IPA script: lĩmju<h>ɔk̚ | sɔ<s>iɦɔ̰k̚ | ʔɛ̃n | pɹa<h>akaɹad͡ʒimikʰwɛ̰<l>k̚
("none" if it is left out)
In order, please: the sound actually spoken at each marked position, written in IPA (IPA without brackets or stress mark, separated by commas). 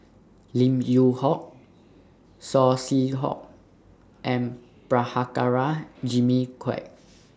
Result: h, s, h, none